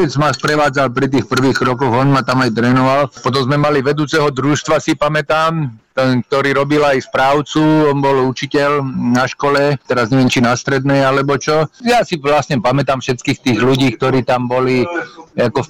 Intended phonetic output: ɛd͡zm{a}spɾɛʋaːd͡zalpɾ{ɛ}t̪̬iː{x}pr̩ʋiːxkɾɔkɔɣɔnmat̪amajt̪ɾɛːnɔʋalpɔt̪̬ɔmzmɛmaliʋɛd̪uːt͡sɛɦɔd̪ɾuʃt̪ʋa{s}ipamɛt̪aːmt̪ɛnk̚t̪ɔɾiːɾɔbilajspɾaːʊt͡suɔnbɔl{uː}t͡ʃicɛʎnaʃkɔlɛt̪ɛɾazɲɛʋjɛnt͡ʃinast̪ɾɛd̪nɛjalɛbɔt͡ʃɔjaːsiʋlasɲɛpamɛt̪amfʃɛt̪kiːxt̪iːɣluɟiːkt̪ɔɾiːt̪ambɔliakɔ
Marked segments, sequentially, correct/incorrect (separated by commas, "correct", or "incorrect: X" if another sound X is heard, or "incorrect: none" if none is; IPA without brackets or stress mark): correct, incorrect: i, correct, correct, incorrect: u